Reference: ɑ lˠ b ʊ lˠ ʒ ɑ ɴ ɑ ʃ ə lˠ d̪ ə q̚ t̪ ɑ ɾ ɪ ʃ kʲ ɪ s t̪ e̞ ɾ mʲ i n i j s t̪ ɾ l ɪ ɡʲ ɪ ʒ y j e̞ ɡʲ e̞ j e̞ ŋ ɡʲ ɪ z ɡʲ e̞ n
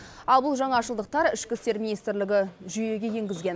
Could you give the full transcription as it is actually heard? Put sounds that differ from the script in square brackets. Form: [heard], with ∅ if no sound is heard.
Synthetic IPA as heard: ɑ lˠ b ʊ lˠ ʒ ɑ ɴ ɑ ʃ ə lˠ d̪ ə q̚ t̪ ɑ ɾ ɪ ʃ kʲ ɪ s t̪ e̞ ɾ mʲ i n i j s t̪ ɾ l ɪ ɡʲ ɪ ʒ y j e̞ ɡʲ e̞ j e̞ ŋ ɡʲ ɪ z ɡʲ e̞ n